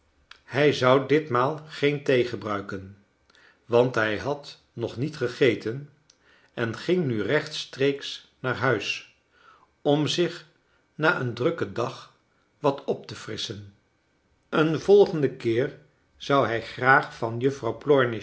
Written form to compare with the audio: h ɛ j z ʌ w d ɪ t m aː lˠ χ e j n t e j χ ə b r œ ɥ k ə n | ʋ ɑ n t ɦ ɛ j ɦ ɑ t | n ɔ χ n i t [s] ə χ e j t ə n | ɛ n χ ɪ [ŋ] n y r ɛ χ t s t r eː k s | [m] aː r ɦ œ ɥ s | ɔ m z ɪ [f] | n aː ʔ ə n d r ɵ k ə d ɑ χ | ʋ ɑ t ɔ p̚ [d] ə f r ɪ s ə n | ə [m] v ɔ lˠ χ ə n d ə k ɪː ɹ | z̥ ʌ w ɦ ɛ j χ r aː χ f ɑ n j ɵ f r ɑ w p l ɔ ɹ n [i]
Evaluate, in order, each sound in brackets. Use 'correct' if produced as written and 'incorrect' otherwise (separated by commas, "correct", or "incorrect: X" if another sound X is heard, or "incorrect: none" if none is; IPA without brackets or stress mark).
incorrect: χ, correct, incorrect: n, incorrect: χ, incorrect: t, incorrect: n, incorrect: ɪ